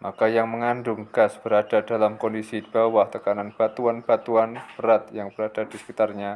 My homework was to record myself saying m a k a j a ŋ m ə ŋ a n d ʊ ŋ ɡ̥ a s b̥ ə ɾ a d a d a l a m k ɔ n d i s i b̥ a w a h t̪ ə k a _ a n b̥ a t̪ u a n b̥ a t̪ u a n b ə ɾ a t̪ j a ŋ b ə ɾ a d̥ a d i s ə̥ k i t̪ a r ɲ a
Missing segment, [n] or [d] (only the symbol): n